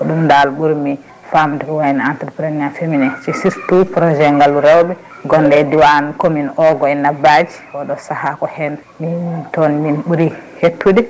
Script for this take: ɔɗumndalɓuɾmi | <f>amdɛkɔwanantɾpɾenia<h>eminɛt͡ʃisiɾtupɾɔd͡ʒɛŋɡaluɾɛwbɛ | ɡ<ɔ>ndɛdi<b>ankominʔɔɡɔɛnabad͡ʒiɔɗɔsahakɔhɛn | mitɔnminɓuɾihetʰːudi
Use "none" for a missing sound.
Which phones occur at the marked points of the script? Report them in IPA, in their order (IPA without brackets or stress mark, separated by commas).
f, f, ɔ, w